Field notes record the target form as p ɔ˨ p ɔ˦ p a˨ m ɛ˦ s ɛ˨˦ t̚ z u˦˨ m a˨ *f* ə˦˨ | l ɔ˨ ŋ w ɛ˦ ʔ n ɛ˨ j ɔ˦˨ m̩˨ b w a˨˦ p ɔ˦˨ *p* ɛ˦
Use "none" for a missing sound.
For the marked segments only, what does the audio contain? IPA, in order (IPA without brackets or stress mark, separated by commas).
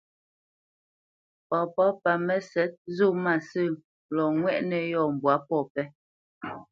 s, p